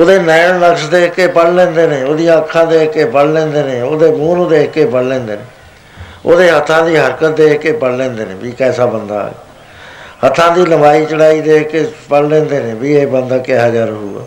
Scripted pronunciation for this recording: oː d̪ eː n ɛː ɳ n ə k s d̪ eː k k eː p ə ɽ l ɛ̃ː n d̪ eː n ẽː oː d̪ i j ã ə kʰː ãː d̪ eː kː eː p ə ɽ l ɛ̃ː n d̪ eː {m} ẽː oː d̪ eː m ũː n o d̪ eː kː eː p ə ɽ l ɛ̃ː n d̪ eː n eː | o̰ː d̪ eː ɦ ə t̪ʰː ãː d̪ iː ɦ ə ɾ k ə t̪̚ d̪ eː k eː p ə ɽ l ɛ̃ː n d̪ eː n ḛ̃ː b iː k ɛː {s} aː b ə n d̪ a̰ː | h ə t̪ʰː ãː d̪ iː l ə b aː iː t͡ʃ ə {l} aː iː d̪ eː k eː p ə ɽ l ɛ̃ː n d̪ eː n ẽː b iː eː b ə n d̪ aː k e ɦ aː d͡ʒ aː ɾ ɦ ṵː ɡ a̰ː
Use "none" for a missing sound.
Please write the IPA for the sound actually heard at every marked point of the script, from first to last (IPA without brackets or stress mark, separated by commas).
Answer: n, s, ɽ